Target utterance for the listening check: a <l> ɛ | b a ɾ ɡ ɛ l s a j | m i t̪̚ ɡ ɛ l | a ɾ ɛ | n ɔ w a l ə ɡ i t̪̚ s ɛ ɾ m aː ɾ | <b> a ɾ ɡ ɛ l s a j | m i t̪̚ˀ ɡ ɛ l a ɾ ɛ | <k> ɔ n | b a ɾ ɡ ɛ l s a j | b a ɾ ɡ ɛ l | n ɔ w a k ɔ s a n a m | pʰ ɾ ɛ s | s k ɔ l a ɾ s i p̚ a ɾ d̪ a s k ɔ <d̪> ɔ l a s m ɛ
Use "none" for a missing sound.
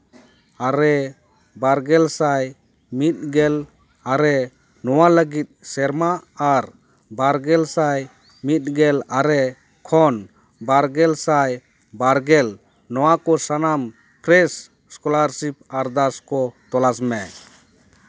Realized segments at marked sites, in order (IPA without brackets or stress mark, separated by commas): ɾ, b, kʰ, t̪